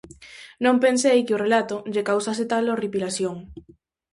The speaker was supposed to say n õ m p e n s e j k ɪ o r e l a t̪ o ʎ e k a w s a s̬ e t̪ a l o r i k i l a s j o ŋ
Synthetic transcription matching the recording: n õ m p e n s e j k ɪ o r e l a t̪ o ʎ e k a w s a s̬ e t̪ a l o r i p i l a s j o ŋ